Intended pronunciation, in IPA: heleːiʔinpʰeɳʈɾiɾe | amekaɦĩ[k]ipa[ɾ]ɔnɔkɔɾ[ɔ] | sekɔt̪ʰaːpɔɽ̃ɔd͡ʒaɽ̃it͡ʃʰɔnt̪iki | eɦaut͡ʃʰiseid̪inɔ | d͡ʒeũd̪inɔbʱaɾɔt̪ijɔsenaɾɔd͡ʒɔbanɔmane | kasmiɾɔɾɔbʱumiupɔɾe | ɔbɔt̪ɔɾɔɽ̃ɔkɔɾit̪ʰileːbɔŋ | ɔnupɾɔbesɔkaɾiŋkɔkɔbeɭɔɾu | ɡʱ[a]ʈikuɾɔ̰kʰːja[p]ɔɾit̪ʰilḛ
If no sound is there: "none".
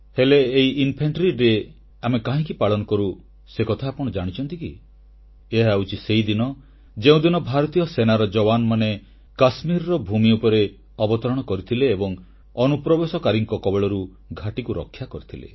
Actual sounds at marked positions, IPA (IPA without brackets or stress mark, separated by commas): k, ɭ, u, a, k